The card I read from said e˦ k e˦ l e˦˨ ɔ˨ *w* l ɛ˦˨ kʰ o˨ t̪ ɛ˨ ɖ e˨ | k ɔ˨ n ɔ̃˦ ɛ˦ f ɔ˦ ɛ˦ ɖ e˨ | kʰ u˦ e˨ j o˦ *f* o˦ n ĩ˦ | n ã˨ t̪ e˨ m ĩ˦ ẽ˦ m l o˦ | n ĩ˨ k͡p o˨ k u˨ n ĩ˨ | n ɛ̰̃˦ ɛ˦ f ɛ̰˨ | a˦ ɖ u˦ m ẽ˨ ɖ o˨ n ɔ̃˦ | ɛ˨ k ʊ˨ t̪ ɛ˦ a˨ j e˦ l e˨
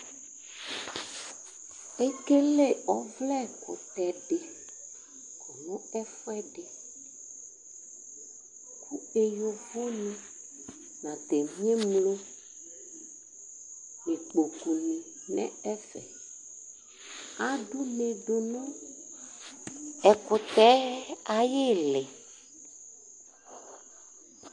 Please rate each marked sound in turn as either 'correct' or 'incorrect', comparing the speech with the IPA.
incorrect: v, incorrect: v

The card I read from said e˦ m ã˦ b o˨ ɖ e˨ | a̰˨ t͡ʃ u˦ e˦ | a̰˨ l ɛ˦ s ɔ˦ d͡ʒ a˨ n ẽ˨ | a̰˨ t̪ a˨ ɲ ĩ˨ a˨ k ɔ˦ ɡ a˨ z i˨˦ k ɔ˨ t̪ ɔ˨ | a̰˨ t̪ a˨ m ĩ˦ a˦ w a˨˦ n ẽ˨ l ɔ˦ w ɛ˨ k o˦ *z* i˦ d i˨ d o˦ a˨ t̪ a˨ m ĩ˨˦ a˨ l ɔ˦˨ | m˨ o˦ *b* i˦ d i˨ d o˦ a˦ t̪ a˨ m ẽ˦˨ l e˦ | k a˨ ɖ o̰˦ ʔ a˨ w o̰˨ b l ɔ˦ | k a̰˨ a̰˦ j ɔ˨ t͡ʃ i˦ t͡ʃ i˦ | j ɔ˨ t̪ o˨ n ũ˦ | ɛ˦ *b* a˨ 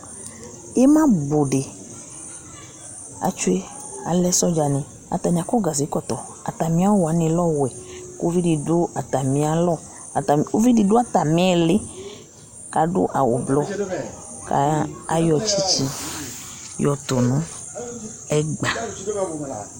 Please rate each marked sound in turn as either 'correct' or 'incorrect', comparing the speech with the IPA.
incorrect: v, incorrect: v, incorrect: ɡ͡b

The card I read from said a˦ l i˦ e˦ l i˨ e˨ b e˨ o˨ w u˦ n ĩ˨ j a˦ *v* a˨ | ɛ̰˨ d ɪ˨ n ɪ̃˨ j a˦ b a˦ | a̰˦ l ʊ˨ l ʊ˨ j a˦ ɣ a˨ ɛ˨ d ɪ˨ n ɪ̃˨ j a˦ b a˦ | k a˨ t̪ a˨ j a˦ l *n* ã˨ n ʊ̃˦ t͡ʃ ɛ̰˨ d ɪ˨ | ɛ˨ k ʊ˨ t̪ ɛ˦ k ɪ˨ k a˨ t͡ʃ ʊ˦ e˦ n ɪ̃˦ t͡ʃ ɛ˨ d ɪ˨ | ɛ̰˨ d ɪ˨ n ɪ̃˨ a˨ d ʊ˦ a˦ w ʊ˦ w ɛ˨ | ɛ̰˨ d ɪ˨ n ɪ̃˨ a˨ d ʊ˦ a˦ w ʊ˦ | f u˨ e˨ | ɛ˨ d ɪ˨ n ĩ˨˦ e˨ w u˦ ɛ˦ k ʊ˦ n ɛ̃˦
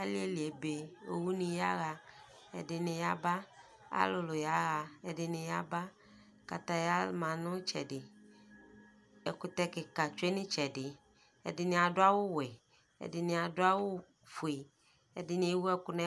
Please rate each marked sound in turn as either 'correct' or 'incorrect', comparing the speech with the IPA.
incorrect: ɣ, incorrect: m

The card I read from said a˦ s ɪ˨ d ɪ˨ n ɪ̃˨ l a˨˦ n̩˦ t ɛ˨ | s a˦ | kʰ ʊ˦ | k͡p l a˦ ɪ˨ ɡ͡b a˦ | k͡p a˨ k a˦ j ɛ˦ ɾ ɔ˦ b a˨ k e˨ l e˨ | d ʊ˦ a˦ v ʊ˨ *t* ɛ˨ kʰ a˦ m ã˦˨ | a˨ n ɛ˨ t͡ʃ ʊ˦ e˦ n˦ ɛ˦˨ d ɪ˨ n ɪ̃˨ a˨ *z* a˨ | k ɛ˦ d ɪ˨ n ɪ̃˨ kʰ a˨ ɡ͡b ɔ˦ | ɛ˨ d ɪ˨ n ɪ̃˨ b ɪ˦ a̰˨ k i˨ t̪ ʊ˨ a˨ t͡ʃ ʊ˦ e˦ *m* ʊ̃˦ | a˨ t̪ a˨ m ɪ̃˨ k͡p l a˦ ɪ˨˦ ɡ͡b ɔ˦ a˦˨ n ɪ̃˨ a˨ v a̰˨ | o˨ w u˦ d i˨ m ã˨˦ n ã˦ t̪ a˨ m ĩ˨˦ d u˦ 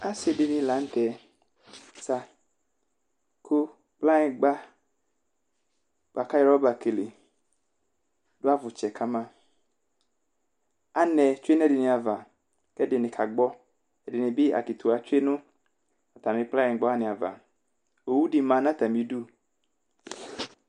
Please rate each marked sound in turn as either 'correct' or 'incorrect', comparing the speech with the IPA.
incorrect: t͡ʃ, incorrect: v, incorrect: n

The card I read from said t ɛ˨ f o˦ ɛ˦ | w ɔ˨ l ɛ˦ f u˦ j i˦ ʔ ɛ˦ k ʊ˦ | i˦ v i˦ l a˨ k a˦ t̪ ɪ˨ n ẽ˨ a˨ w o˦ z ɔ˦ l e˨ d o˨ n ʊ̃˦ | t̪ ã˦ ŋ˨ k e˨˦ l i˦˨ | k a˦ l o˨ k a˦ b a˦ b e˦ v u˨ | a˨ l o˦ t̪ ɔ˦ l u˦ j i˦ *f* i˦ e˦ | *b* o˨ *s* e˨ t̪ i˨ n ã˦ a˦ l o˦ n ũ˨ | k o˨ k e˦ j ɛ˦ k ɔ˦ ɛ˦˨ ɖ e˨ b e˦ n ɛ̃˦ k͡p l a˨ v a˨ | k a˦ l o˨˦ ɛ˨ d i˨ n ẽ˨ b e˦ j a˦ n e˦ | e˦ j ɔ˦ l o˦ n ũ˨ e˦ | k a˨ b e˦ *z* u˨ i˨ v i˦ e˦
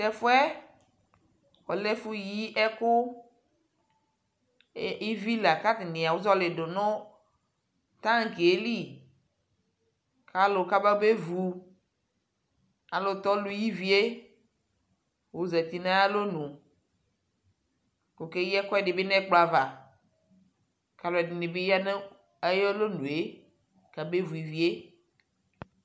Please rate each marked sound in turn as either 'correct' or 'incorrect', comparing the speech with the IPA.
incorrect: v, incorrect: w, incorrect: z, incorrect: v

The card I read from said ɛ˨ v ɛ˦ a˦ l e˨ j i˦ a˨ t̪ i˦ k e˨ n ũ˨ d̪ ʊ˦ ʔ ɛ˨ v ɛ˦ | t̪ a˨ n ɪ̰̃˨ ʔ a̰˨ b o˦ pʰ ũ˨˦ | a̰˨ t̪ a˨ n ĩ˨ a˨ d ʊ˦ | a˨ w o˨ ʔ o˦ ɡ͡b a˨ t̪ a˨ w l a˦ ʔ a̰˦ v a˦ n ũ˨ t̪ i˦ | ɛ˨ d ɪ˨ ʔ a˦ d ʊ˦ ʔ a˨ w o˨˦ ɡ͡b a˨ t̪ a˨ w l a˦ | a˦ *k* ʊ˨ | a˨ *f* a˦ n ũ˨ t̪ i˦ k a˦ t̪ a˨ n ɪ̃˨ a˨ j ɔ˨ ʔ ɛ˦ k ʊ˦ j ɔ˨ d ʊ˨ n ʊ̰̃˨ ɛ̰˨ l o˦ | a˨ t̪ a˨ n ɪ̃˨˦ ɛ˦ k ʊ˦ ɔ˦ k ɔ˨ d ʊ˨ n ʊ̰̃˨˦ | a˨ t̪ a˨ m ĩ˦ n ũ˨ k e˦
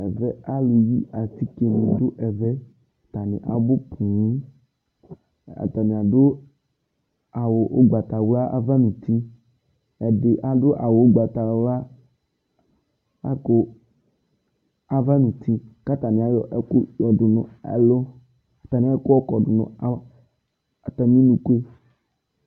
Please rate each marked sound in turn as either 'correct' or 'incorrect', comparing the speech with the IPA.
correct, incorrect: v

